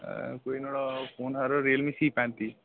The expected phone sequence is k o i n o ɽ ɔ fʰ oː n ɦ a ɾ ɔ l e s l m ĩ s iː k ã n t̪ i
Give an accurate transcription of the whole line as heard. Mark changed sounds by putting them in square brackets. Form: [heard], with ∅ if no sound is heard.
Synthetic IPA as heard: k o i n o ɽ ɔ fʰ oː n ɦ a ɾ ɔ [ɾ] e [∅] l m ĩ s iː [p] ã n t̪ i